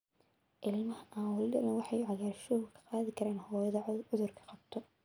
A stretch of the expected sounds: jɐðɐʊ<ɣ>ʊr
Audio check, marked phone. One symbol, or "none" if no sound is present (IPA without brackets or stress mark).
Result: ð